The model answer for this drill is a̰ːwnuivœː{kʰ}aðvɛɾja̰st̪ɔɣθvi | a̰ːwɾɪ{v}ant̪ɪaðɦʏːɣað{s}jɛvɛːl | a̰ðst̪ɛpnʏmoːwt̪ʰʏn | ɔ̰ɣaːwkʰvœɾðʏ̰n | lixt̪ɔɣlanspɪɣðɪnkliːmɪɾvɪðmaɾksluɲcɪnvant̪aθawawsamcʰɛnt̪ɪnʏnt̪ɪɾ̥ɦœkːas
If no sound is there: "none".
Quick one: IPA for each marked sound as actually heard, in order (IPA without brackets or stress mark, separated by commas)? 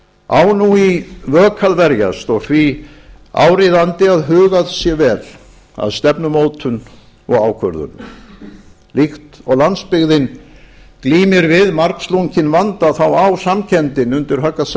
kʰ, ð, s